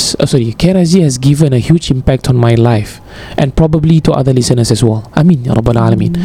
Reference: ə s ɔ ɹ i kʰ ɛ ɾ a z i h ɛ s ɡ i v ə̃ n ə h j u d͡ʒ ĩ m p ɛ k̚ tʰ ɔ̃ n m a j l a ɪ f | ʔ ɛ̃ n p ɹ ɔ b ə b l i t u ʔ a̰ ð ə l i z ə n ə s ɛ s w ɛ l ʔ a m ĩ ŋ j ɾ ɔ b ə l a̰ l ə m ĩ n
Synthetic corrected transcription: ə s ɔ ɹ i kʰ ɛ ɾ a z i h ɛ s ɡ i v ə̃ n ə h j u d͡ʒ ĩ m p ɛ k̚ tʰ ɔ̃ n m a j l a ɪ f | ʔ ɛ̃ n p ɹ ɔ b ə b l i t u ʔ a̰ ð ə l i s ə n ə s ɛ s w ɛ l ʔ a m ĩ n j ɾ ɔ b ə l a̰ l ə m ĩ n